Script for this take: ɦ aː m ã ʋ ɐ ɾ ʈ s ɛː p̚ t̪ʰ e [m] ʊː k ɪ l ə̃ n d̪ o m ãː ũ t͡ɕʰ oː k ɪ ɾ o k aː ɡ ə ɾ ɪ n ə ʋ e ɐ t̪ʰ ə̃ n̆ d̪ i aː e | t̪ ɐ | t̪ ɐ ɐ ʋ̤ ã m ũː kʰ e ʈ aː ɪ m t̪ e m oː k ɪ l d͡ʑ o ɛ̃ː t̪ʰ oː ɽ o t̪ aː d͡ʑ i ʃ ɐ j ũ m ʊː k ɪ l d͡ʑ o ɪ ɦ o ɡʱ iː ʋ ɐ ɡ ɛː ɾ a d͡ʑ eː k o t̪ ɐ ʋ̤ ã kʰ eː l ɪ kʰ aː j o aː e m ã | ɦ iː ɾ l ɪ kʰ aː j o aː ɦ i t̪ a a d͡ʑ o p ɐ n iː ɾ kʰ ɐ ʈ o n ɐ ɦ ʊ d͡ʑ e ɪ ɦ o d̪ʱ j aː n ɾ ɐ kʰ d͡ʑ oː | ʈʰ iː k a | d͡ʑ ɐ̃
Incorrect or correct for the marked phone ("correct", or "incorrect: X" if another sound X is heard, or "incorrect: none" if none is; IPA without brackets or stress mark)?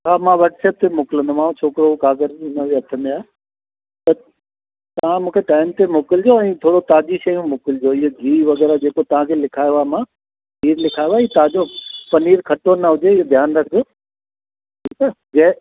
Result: correct